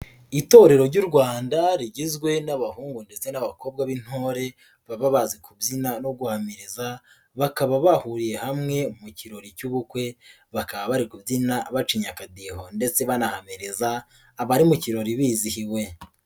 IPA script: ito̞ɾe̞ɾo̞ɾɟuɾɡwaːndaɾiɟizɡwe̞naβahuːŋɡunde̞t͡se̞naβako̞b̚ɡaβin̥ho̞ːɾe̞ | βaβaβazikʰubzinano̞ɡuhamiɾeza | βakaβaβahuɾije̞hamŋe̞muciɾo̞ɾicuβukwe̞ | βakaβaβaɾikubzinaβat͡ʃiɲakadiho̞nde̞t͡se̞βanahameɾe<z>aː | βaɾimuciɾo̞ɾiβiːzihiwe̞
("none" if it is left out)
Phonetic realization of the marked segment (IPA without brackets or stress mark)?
z